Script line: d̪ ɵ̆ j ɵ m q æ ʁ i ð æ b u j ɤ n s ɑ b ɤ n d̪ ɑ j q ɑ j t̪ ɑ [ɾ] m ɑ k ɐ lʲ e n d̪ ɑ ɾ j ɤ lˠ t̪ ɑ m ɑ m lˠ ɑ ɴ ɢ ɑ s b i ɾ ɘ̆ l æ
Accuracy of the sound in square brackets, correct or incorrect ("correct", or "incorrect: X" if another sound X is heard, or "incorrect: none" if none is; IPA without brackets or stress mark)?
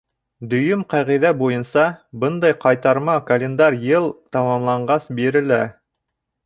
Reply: correct